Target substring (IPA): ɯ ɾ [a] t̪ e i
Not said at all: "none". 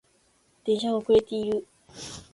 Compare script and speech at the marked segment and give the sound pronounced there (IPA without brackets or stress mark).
e